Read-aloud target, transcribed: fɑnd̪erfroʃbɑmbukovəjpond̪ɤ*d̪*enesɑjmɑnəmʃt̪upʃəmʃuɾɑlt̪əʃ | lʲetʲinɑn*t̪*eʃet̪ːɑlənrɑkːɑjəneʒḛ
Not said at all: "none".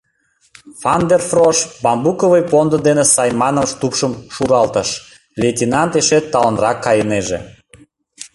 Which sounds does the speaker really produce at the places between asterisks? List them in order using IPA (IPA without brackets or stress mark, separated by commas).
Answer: d̪, t̪